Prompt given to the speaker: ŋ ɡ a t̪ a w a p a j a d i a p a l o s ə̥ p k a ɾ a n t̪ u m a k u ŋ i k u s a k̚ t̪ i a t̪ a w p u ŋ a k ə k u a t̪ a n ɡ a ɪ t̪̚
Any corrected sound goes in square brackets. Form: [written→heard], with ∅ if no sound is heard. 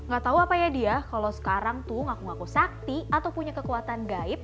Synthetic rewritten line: ŋ ɡ a t̪ a [w→u] a p a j a d i a [p→k] a l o s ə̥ [p→∅] k a ɾ a [n→ŋ] t̪ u [m→ŋ] a k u ŋ [i→a] k u s a k̚ t̪ i a t̪ a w p u [ŋ→ɲ] a k ə k u a t̪ a n ɡ a ɪ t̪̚